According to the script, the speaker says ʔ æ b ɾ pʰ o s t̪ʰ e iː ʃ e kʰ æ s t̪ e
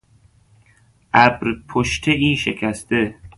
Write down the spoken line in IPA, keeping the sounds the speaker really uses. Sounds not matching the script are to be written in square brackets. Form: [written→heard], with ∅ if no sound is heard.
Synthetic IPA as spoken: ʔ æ b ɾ pʰ o [s→ʃ] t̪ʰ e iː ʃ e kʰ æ s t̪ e